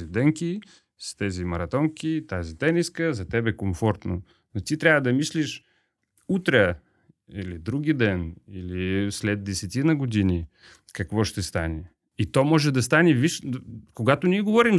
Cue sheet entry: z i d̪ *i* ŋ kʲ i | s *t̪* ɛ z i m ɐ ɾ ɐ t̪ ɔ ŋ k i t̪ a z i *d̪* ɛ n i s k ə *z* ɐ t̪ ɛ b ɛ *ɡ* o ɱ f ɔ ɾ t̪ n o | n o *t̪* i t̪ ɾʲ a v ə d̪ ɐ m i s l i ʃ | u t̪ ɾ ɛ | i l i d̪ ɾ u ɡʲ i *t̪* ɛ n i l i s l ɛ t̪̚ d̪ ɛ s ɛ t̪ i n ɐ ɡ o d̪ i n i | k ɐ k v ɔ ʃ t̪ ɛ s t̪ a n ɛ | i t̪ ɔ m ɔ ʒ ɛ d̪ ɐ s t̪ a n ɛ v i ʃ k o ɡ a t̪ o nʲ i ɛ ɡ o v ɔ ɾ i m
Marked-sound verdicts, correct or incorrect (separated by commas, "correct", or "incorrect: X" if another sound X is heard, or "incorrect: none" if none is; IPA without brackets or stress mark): incorrect: ɛ, correct, incorrect: t̪, correct, incorrect: k, correct, incorrect: d̪